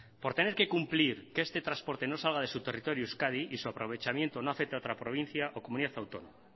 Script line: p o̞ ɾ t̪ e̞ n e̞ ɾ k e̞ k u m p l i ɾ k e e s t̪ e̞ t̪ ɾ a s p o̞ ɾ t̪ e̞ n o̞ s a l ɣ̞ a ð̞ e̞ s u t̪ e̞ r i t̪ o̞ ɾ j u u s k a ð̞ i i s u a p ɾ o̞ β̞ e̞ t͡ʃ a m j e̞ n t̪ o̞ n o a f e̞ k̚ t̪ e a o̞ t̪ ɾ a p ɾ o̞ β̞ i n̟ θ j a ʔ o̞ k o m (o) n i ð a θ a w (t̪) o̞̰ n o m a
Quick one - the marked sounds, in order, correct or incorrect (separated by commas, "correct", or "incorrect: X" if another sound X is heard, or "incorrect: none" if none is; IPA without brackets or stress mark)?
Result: incorrect: u, correct